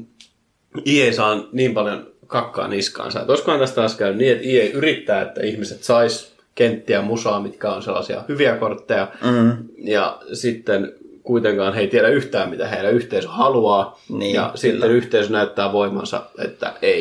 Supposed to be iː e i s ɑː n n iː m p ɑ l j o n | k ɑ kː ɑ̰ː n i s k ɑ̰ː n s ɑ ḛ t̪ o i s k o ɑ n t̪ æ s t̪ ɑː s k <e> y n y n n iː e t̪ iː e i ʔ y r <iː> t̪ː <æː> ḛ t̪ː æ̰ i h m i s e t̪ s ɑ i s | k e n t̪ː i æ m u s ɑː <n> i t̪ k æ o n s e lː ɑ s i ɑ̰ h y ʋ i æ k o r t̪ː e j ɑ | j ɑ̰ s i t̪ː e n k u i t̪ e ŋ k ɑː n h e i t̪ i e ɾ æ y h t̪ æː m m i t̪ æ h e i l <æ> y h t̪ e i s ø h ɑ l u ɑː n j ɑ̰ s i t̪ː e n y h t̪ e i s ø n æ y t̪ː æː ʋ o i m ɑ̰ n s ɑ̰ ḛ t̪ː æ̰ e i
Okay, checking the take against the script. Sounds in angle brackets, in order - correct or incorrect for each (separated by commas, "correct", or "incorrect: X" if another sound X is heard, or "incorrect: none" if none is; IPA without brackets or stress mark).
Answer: incorrect: æ, incorrect: i, correct, incorrect: m, correct